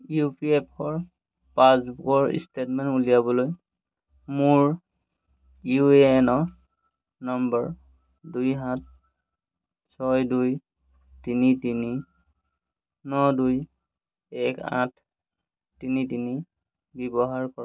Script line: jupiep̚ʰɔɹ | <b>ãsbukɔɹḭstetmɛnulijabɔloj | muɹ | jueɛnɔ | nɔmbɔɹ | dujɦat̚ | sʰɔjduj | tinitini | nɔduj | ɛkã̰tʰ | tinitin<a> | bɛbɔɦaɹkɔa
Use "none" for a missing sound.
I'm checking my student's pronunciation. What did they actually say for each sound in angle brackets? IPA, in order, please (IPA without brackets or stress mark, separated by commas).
p, i